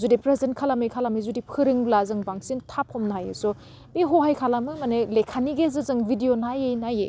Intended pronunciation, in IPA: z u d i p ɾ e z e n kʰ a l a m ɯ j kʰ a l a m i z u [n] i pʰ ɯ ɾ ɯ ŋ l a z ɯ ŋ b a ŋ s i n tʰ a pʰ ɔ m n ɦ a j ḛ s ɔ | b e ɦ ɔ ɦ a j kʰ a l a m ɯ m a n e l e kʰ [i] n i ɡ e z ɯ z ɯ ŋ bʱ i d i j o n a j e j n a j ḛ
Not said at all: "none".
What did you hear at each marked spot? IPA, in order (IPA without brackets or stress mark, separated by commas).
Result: d, a